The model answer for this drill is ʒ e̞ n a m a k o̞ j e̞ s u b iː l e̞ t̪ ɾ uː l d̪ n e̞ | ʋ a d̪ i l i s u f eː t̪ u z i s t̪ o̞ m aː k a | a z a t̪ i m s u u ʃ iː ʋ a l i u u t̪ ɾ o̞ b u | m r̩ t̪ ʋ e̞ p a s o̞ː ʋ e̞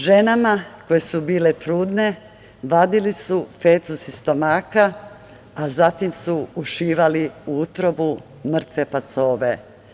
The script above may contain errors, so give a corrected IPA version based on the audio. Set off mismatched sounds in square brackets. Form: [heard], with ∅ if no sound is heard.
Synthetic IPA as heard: ʒ e̞ n a m a k o̞ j e̞ s u b iː l e̞ t̪ ɾ uː [∅] d̪ n e̞ | ʋ a d̪ i l i s u f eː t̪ u [s] i s t̪ o̞ m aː k a | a z a t̪ i m s u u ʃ iː ʋ a l i u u t̪ ɾ o̞ b u | m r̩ t̪ ʋ e̞ p a s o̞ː ʋ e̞